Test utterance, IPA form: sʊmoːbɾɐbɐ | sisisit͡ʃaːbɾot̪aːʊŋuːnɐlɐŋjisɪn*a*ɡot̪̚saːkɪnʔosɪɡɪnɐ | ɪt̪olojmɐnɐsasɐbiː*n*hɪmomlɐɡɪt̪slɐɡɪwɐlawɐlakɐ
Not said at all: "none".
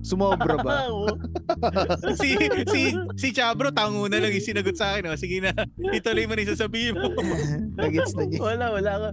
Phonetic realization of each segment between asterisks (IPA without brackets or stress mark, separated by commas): ɐ, none